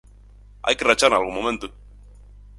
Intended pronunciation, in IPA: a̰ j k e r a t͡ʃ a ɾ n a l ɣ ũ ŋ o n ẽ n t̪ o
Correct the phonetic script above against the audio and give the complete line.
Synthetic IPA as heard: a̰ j k e r a t͡ʃ a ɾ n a l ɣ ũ m o m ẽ n t̪ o